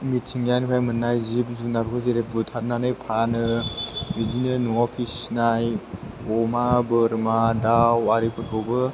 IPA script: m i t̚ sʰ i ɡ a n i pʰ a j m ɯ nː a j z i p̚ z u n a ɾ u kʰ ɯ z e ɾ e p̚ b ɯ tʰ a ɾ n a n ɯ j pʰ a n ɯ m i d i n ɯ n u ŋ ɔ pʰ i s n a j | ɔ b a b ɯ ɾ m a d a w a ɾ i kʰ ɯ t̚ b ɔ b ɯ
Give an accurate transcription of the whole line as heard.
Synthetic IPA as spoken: m i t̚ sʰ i ŋ a n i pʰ a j m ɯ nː a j z i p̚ z u n a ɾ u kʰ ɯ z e ɾ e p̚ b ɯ tʰ a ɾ n a n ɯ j pʰ a n ɯ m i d i n ɯ n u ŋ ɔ pʰ i s n a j | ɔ m a b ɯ ɾ m a d a w a ɾ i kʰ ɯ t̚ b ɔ b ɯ